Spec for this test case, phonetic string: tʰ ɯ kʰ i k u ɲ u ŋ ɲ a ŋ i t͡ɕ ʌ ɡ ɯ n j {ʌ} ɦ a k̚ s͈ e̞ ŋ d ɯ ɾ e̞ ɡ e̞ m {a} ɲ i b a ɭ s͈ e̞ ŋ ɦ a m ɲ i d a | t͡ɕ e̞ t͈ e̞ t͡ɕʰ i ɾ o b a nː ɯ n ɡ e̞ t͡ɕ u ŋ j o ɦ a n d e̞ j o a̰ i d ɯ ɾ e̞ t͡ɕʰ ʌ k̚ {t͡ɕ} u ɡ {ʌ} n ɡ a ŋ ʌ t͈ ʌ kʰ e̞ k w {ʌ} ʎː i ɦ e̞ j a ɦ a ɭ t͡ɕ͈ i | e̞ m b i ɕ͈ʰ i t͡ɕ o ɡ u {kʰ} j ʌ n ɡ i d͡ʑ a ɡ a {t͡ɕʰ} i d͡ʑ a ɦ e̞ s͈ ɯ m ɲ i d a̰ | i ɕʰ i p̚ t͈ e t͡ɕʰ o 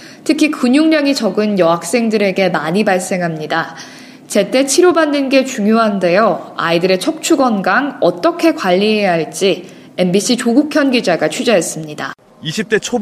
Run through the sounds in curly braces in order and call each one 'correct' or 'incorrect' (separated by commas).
correct, correct, incorrect, correct, incorrect, correct, correct